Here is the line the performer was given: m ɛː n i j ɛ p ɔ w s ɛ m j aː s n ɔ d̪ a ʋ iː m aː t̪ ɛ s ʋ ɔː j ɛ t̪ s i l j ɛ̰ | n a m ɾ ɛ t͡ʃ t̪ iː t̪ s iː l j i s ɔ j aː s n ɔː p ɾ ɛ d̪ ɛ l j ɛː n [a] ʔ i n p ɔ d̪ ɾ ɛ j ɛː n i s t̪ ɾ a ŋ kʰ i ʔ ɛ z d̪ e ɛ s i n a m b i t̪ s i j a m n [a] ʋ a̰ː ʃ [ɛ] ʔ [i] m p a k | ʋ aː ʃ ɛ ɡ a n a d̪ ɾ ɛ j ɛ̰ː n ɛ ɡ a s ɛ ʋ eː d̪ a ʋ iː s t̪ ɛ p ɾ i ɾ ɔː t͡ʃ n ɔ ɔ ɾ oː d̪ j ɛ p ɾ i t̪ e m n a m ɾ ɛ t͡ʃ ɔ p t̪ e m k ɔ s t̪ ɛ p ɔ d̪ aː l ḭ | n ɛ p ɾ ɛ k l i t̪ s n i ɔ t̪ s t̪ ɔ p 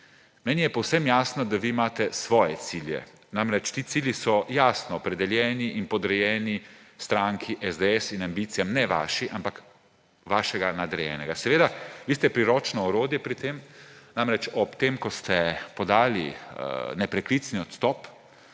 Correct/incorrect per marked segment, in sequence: incorrect: i, incorrect: ɛ, incorrect: i, incorrect: a

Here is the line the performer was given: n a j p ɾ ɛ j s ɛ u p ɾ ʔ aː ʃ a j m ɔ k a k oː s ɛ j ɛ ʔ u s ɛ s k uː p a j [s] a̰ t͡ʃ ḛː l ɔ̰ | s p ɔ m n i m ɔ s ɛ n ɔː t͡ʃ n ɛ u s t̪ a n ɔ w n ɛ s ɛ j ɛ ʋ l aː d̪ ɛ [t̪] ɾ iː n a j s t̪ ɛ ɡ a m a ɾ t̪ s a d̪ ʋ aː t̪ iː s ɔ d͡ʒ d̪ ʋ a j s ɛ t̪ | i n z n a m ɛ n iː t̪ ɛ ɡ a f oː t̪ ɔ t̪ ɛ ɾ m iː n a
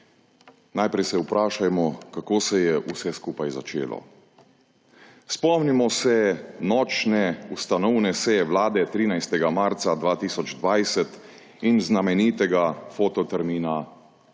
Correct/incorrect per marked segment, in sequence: incorrect: z, correct

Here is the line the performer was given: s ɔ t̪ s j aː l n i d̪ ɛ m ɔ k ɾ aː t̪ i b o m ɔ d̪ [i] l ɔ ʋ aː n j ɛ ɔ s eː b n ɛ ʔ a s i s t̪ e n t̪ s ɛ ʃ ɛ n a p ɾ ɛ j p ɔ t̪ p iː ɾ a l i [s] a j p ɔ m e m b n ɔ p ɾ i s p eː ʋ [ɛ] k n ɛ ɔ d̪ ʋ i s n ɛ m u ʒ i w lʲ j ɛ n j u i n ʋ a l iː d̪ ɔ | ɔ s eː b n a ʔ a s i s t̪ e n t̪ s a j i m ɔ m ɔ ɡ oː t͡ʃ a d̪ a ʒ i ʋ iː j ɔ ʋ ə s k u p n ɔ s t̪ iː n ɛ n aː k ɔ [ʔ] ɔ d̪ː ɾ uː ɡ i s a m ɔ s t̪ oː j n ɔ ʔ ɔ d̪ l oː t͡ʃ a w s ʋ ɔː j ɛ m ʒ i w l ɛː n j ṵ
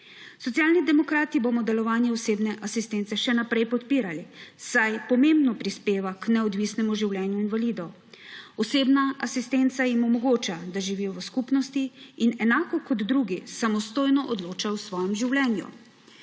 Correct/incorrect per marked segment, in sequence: incorrect: ɛ, correct, incorrect: a, incorrect: k

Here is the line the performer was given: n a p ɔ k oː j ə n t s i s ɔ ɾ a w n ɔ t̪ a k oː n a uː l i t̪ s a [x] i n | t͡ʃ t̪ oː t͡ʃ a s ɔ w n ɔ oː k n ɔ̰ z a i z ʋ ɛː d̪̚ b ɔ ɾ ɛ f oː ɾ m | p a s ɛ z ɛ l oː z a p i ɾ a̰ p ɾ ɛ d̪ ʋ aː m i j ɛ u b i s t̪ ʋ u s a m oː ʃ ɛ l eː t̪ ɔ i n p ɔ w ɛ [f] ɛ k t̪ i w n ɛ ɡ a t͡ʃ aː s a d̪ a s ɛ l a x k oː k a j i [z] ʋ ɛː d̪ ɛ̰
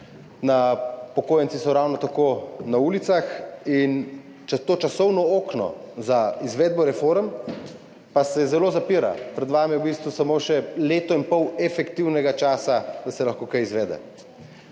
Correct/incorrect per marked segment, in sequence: correct, correct, correct

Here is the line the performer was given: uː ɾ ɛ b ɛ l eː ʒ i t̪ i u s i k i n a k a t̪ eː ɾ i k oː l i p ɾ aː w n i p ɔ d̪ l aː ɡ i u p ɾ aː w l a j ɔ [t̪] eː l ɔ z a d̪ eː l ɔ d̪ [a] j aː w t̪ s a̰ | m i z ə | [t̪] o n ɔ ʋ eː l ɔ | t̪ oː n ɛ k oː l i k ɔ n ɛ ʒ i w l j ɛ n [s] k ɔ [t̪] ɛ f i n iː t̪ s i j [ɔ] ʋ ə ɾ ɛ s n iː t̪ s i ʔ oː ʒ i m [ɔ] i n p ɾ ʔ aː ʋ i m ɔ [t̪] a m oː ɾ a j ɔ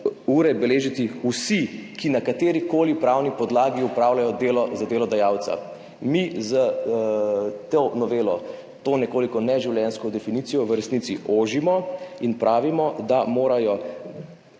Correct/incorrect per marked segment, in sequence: incorrect: d̪, correct, correct, correct, incorrect: d̪, correct, correct, incorrect: d̪

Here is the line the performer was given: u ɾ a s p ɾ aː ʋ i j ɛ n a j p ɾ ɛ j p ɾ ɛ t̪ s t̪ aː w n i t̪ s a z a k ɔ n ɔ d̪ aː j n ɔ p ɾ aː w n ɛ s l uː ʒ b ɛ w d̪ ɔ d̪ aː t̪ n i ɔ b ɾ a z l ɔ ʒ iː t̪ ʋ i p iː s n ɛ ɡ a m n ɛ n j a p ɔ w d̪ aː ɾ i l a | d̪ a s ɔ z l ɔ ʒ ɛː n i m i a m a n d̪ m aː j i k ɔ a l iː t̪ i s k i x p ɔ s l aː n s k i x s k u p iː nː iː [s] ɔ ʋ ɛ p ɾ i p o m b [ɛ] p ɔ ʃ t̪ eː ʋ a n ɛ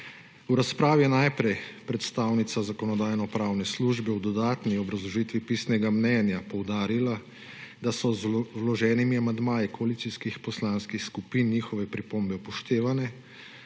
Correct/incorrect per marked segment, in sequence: incorrect: x, correct

